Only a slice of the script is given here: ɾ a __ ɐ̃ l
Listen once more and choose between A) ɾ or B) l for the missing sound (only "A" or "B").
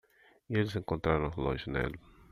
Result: A